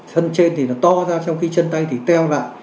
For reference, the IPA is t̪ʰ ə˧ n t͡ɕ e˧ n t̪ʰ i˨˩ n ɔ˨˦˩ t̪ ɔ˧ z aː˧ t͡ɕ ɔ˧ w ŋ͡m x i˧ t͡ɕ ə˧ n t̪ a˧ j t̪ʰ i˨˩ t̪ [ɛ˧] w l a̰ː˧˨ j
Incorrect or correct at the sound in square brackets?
correct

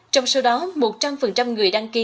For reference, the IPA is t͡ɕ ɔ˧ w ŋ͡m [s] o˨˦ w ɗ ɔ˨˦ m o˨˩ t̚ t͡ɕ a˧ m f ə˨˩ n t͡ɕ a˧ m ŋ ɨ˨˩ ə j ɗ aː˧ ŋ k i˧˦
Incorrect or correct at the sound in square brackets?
correct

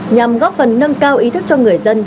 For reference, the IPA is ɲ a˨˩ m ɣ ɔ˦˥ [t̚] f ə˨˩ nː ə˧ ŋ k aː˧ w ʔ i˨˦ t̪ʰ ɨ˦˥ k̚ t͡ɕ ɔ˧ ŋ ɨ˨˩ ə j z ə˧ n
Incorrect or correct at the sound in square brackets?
incorrect: p̚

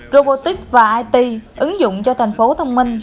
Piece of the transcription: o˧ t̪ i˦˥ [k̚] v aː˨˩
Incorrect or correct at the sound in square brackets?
correct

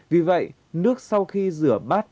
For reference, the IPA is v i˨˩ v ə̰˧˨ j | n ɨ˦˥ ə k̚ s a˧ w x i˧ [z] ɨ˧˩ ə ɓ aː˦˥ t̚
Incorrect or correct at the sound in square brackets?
correct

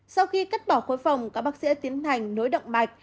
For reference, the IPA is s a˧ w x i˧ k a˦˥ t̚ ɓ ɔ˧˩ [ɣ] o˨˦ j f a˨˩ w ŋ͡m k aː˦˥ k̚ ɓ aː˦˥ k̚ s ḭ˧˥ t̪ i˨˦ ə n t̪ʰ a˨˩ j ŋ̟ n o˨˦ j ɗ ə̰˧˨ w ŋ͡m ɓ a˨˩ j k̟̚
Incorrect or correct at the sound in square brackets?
incorrect: x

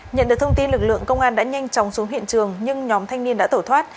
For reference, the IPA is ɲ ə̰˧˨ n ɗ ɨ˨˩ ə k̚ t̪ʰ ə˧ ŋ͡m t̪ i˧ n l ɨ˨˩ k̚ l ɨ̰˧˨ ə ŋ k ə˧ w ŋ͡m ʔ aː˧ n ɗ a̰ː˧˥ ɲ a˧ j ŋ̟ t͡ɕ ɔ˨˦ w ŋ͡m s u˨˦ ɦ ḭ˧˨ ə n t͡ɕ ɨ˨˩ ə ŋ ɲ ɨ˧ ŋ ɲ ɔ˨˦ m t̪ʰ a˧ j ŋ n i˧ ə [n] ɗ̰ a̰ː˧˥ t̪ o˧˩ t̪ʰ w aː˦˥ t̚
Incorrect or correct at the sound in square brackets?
correct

